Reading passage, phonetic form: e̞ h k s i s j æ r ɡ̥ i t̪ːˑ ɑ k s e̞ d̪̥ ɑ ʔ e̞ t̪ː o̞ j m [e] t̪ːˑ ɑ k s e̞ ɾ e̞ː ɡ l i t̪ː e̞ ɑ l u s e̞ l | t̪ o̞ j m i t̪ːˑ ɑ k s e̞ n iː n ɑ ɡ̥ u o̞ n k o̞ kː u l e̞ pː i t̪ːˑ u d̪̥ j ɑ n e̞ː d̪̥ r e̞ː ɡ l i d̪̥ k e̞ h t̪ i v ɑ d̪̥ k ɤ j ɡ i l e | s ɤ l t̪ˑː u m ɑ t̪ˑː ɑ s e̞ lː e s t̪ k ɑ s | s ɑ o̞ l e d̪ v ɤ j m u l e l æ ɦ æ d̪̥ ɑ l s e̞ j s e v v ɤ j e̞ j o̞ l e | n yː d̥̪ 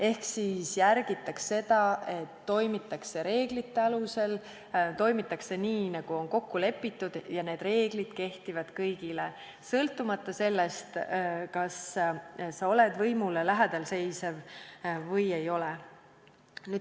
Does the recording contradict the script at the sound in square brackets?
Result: yes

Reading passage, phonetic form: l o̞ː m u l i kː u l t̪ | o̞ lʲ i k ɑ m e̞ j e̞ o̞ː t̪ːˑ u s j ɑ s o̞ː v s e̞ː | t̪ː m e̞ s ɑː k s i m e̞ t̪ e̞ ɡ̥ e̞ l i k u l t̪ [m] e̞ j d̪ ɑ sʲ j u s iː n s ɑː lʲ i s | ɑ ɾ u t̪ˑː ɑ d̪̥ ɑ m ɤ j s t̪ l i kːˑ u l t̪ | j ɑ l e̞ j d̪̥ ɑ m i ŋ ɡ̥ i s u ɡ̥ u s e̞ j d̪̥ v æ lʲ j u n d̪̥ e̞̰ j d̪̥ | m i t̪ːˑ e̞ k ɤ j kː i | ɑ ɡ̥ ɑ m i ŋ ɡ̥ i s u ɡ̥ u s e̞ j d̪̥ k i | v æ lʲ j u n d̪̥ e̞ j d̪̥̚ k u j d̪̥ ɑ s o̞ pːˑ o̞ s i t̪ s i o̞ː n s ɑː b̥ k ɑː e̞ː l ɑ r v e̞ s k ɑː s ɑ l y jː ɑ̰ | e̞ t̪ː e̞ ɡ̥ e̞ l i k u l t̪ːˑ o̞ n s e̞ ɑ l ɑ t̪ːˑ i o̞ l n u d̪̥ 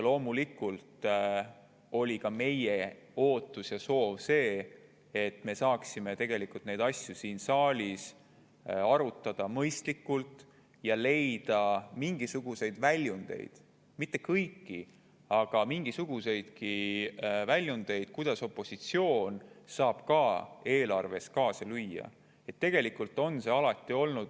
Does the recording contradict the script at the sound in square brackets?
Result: yes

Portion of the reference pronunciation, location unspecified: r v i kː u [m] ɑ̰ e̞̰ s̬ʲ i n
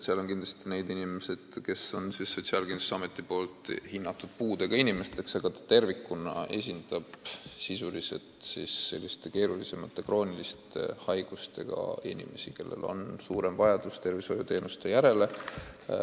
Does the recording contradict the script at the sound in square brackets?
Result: yes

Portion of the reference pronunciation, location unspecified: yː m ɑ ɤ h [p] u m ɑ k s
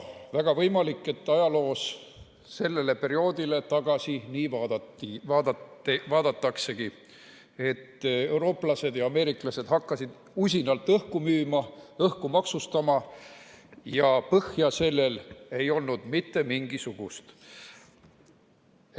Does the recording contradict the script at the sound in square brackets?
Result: yes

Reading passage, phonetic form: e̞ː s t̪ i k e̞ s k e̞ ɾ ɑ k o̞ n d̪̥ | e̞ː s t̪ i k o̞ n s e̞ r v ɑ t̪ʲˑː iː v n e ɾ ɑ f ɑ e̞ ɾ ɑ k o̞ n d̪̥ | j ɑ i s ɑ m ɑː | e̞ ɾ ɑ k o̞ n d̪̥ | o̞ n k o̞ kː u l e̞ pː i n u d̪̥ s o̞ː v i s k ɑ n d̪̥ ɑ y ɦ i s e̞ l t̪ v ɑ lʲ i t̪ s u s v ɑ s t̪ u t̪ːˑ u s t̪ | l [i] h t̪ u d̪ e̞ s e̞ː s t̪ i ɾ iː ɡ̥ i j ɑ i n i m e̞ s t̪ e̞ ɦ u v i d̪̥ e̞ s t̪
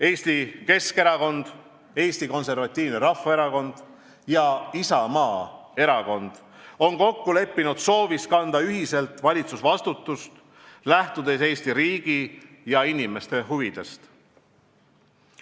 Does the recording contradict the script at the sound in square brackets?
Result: yes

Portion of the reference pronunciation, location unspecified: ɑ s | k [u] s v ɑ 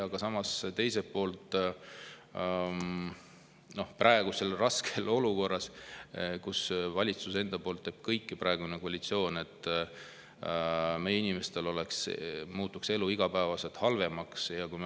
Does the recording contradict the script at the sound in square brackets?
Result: no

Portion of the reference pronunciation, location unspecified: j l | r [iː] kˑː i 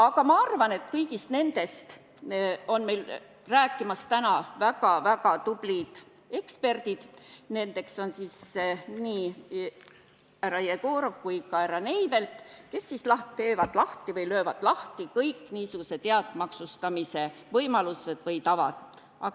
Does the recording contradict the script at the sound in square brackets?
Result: yes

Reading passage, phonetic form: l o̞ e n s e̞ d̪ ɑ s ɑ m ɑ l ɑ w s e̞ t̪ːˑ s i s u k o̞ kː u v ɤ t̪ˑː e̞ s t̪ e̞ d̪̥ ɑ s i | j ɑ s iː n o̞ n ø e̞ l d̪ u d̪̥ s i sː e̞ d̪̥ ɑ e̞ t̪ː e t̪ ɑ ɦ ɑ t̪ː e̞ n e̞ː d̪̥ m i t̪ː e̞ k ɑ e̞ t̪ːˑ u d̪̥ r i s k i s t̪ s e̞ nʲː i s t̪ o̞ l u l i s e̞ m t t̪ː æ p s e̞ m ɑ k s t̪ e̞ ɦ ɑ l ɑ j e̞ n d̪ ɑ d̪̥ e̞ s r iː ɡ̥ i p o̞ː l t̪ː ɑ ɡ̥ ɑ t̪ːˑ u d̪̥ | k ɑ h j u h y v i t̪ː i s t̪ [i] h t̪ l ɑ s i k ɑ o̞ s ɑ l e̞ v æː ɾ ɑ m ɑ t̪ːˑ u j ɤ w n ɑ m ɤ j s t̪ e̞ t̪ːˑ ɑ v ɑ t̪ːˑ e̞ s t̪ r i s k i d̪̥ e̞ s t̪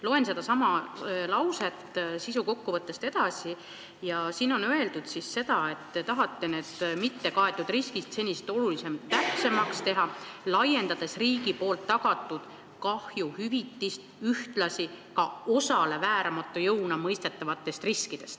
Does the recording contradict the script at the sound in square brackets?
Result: yes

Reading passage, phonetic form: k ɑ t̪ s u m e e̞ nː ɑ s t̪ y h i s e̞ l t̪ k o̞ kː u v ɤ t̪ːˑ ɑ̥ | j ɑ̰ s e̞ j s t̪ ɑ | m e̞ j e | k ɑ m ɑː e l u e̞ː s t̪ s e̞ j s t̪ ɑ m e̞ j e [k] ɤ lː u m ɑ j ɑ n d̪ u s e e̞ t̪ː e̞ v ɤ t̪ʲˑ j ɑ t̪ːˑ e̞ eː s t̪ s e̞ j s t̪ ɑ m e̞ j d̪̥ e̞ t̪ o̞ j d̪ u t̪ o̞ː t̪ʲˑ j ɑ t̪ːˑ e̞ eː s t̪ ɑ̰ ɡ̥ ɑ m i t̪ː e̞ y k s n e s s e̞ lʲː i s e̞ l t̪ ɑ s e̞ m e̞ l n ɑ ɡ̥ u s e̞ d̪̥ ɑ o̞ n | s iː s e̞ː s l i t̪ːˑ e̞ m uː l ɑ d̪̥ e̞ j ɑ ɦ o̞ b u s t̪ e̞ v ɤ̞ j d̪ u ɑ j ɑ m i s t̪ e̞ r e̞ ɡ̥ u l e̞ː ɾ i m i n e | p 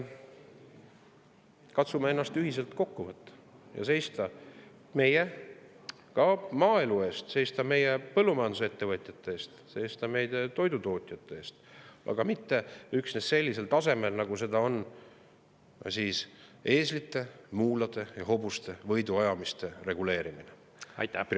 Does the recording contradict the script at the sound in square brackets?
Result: yes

